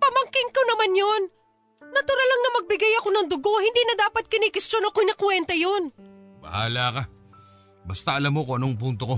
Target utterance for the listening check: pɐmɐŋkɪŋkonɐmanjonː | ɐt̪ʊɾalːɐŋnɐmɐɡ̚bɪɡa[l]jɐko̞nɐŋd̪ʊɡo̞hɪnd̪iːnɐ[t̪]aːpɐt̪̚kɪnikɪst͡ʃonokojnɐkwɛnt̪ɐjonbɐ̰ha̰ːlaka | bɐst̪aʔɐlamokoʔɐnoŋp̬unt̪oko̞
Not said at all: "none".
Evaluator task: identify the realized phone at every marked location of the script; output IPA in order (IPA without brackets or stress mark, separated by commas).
none, d̪